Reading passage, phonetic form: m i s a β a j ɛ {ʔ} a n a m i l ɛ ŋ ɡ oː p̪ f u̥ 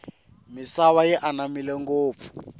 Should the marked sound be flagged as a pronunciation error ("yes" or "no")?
no